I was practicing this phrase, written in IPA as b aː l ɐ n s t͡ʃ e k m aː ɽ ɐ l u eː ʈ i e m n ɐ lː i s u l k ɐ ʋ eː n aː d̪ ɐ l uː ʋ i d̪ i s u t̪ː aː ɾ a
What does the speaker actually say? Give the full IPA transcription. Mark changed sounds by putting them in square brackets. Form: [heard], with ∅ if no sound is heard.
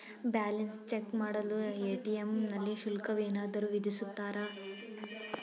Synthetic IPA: b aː l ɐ n s t͡ʃ e k m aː ɽ ɐ l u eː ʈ i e m n ɐ lː i [ʃ] u l k ɐ ʋ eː n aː d̪ ɐ [ɾ] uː ʋ i d̪ i s u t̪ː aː ɾ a